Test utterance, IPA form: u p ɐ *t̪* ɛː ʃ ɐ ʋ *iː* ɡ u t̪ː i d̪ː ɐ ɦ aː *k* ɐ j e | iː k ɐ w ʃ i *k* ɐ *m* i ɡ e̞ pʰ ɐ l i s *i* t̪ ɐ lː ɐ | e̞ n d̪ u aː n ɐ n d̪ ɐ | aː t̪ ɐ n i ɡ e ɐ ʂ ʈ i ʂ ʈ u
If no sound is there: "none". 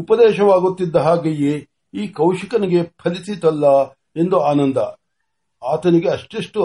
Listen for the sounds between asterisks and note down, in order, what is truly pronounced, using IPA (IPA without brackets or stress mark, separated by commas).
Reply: d̪, aː, ɡ, k, n, i